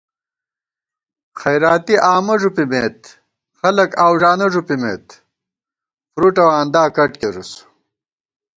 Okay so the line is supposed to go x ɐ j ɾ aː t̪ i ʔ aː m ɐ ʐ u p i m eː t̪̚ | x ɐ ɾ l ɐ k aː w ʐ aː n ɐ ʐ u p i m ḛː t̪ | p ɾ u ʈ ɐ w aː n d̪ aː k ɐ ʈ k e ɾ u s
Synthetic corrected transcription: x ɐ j ɾ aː t̪ i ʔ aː m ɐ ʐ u p i m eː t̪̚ | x ɐ l ɐ k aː w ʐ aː n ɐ ʐ u p i m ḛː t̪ | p ɾ u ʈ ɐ w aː n d̪ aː k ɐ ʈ k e ɾ u s